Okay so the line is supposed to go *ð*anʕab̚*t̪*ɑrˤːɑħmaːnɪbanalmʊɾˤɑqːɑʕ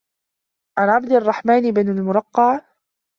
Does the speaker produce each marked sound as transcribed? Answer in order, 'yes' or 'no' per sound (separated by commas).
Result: no, no